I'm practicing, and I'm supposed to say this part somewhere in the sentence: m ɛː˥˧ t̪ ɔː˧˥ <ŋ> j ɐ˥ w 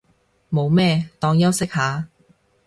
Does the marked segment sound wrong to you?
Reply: no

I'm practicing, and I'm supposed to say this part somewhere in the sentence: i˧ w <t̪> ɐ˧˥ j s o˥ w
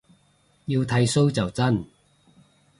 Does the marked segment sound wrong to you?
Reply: yes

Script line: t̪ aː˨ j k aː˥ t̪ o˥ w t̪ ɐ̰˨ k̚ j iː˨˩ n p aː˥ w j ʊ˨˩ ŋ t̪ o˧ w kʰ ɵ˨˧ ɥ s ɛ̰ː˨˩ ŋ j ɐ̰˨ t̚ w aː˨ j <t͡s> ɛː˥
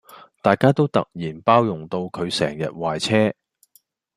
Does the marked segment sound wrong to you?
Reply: yes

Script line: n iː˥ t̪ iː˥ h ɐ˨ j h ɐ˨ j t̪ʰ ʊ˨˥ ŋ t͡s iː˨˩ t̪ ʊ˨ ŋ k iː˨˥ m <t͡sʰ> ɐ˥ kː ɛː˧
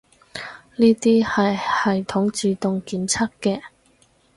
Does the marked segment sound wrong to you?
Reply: no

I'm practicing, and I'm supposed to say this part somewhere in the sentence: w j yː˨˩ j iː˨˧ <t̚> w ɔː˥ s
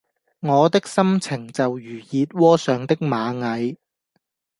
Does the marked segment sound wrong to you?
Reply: no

